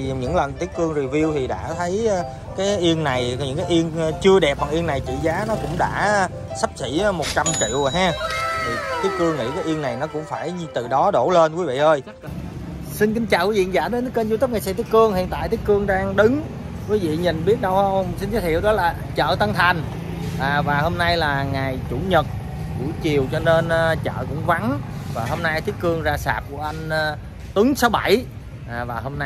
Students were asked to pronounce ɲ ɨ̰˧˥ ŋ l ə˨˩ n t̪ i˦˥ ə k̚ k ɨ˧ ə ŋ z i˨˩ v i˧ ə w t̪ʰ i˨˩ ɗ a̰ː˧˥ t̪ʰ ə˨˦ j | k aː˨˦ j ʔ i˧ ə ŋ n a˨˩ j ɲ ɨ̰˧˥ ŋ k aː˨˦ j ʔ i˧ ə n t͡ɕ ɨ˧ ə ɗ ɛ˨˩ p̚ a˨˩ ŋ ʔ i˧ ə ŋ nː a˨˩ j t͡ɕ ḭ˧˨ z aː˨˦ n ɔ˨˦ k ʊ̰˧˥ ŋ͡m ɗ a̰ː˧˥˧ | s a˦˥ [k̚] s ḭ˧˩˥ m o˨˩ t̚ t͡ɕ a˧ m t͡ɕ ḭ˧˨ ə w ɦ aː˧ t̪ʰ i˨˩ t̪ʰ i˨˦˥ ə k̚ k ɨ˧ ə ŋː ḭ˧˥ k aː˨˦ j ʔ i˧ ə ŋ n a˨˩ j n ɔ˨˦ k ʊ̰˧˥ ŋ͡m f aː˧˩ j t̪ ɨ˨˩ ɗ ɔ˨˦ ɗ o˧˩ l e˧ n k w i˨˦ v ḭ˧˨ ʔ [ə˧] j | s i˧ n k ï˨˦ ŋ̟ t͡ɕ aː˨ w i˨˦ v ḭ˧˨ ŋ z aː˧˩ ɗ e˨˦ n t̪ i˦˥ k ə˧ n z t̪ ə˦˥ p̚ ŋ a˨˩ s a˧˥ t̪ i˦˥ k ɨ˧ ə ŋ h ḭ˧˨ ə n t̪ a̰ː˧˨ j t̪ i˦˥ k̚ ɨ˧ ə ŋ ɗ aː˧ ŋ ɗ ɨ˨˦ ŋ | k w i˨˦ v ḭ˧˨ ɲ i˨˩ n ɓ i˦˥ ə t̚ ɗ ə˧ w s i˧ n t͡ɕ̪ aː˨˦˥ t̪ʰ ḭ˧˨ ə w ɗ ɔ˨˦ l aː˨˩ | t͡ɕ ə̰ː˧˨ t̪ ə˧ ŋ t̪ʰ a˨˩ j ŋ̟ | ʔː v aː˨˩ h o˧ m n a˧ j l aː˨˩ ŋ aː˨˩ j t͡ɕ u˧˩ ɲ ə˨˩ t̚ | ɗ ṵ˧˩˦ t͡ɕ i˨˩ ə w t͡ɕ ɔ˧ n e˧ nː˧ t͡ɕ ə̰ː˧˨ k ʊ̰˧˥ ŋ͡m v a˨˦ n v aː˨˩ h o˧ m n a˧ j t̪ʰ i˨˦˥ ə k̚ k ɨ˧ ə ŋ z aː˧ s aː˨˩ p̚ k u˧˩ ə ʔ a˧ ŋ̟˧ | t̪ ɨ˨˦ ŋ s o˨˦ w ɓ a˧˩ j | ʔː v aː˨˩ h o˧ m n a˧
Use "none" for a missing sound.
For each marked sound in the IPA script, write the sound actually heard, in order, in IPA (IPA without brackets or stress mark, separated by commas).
p̚, əː˧